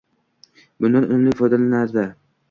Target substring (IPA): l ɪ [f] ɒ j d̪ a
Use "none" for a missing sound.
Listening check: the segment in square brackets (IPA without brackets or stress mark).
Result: f